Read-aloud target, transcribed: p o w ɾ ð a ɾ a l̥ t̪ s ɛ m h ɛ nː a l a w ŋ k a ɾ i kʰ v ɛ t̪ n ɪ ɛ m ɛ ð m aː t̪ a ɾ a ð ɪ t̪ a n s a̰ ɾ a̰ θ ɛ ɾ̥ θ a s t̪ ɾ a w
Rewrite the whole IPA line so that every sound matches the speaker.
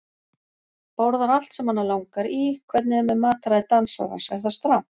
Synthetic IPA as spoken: p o w ɾ ð a ɾ a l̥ t̪ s ɛ m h a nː a l a w ŋ k a ɾ i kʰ v ɛ t̪ n ɪ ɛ m ɛ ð m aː t̪ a ɾ a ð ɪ t̪ a n s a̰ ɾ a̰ s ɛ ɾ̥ θ a s t̪ ɾ a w